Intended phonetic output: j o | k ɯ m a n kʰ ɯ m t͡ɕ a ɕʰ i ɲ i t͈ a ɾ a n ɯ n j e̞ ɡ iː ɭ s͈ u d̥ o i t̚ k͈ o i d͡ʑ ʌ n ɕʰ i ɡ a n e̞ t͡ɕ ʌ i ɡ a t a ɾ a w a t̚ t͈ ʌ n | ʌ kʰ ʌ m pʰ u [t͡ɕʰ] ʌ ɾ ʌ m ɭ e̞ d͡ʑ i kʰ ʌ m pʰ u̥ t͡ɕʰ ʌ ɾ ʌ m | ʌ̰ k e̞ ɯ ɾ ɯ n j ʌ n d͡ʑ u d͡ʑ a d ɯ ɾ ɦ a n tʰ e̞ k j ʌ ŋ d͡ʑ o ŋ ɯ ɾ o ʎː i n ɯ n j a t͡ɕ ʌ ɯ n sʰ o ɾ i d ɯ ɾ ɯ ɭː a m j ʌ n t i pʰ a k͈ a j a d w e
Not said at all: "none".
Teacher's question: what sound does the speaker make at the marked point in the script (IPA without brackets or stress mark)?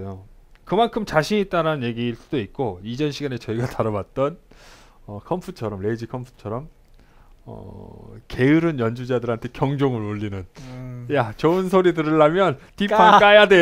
t͡ɕʰ